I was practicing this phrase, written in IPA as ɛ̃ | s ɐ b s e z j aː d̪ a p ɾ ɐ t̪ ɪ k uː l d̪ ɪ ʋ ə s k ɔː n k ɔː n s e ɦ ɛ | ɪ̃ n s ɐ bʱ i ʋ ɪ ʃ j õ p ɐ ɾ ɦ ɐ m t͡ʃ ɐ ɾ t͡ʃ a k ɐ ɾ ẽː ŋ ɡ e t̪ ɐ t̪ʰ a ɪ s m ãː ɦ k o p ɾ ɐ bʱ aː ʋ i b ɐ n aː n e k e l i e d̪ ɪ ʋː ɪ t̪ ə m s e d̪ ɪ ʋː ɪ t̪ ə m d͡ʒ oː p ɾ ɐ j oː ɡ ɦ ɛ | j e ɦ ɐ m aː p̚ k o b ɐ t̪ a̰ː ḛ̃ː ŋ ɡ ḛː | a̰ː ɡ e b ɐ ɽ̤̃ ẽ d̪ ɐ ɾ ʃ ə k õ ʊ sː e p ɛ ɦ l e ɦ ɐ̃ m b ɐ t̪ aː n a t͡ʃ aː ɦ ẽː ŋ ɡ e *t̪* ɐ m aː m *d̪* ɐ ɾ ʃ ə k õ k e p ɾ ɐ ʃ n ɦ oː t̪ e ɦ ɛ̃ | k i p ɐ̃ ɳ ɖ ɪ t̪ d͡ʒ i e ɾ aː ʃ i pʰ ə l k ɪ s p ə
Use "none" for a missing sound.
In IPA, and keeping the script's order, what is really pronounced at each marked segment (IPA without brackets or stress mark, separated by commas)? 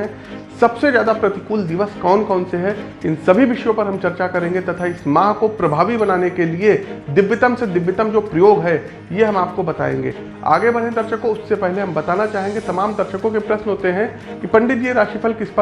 t̪, d̪